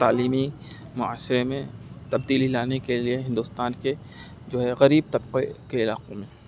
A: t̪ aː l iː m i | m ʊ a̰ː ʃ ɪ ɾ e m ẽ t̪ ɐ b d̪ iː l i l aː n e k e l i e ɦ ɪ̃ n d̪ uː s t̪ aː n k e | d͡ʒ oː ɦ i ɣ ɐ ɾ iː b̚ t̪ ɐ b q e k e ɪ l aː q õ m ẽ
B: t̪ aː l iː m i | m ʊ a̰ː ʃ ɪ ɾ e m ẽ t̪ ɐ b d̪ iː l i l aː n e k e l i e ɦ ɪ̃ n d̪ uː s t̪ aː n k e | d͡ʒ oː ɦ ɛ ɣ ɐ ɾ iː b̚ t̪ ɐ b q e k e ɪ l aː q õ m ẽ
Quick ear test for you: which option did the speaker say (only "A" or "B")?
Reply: B